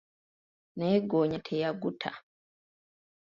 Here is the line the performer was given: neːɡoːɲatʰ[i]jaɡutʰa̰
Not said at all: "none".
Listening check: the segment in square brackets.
e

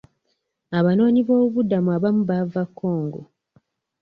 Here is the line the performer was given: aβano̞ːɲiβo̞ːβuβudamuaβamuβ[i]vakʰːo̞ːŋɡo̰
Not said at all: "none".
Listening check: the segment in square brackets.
a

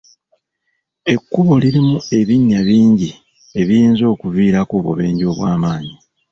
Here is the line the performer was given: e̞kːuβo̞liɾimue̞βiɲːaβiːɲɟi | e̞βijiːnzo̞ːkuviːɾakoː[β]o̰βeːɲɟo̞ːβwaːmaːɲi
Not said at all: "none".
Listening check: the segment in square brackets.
β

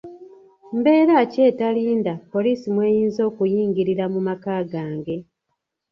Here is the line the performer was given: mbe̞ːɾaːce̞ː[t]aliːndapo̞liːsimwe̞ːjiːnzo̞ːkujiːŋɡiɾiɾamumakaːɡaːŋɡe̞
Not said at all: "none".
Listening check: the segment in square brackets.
t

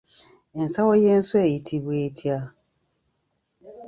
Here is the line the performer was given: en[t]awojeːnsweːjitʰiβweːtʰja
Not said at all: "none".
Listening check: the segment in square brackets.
s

